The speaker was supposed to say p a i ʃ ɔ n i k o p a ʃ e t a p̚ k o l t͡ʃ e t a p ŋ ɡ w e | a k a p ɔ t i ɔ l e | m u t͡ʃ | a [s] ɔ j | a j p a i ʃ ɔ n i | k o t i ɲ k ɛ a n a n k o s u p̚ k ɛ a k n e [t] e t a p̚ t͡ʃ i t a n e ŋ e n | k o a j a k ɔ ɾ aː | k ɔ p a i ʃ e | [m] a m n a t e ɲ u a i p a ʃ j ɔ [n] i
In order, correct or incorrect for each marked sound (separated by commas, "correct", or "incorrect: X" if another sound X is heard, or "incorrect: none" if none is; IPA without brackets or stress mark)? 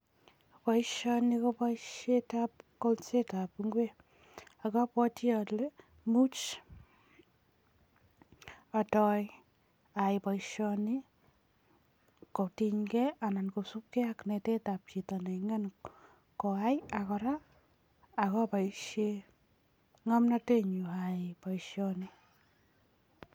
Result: incorrect: t, correct, incorrect: ŋ, correct